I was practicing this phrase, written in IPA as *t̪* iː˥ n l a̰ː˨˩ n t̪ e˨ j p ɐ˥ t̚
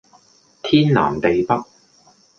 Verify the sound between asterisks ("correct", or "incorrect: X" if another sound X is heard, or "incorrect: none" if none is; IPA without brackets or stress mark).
incorrect: t̪ʰ